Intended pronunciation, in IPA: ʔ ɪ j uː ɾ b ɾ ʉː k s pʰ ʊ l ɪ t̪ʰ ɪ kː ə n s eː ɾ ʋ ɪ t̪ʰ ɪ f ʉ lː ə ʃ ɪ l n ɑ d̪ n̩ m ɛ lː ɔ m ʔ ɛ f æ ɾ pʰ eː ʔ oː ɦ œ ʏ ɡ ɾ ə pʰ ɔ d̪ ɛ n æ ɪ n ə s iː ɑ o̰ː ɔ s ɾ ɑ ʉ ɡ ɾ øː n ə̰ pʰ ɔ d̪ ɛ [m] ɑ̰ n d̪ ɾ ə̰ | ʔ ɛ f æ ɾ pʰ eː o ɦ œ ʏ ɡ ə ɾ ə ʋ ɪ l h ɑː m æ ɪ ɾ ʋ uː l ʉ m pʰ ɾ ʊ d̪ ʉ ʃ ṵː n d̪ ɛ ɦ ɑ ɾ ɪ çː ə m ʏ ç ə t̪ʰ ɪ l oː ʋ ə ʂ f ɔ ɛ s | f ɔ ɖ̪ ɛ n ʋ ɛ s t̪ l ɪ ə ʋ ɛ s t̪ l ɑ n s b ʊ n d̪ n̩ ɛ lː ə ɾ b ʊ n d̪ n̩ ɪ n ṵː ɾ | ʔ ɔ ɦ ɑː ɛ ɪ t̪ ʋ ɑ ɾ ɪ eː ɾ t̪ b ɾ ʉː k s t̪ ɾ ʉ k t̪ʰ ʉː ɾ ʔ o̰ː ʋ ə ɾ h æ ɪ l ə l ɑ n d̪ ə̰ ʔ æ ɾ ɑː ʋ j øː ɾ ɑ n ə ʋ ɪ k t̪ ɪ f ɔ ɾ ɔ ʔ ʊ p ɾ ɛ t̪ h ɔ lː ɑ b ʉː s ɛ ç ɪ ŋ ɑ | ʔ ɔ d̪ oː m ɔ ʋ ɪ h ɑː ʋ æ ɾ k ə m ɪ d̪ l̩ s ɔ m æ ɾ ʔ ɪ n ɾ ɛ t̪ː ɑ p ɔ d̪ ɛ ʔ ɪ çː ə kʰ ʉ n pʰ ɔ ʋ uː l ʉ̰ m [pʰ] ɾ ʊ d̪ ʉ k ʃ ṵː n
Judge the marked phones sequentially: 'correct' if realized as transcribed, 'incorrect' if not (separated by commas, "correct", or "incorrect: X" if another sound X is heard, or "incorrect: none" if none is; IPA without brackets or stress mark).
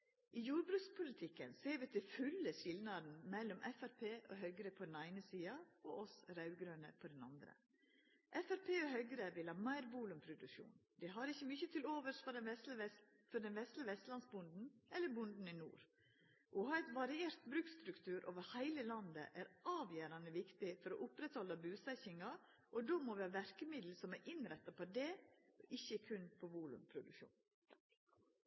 incorrect: n, correct